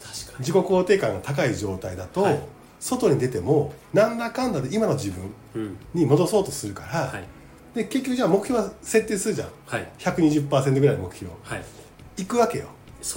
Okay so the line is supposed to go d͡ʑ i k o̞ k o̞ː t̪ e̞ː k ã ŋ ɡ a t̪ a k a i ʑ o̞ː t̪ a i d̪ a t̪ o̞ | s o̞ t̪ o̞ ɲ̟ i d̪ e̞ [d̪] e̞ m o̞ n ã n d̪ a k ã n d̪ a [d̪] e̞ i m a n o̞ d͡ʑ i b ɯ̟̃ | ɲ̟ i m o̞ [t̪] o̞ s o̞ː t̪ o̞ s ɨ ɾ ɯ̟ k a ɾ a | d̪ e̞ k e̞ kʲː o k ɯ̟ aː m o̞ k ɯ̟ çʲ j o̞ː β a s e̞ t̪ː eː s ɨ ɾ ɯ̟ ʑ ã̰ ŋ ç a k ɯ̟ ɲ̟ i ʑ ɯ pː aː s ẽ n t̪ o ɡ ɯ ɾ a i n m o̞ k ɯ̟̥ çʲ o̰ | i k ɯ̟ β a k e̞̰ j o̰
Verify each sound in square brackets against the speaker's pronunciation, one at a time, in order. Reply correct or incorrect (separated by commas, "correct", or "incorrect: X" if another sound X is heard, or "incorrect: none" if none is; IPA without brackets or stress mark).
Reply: incorrect: t̪, correct, incorrect: d̪